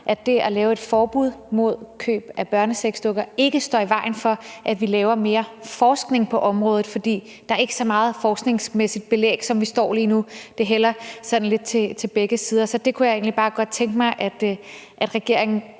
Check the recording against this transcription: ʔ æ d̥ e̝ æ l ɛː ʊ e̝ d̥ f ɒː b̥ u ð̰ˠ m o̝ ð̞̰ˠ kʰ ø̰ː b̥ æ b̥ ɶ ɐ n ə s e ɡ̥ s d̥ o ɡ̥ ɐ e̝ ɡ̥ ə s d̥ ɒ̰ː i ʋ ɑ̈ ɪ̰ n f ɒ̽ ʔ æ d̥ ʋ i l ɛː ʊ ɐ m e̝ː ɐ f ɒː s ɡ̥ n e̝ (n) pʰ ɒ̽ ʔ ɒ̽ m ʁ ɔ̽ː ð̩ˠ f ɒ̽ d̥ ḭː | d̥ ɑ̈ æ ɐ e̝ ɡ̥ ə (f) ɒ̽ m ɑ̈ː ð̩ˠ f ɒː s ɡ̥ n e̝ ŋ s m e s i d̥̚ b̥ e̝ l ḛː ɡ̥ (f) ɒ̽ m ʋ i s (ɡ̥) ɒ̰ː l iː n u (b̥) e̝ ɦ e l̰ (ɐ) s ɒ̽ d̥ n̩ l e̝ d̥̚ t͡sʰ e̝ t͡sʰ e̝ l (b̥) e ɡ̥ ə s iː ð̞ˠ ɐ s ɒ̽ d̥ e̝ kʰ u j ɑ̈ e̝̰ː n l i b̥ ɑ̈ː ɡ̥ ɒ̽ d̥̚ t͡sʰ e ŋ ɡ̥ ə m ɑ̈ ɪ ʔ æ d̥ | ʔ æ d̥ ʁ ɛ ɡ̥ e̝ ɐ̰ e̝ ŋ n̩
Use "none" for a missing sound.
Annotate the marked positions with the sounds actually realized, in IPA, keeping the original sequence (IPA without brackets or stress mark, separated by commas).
ŋ, s, s, d̥, d̥, ɐ, b̥